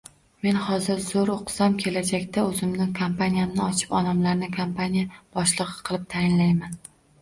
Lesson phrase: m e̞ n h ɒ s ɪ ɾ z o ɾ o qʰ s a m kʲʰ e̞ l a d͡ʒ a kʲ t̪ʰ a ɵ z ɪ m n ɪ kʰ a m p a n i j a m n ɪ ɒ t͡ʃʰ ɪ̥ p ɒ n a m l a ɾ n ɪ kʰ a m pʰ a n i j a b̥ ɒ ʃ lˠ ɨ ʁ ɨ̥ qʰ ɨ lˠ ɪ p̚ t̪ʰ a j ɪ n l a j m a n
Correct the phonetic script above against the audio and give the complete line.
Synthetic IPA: m e̞ n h ɒ z ɪ ɾ z o ɾ o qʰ s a m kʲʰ e̞ l a d͡ʒ a kʲ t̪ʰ a ɵ z ɪ m n ɪ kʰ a m p a n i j a m n ɪ ɒ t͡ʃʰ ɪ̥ p ɒ n a m l a ɾ n ɪ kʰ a m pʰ a n i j a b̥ ɒ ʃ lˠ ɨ ʁ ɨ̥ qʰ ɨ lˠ ɪ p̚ t̪ʰ a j ɪ n l a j m a n